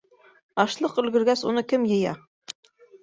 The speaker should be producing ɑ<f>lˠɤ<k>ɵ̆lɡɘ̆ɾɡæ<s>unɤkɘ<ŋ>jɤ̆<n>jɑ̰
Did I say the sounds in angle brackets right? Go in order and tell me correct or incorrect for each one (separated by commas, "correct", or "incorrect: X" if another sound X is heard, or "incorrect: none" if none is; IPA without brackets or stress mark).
incorrect: ʃ, incorrect: q, correct, incorrect: m, incorrect: none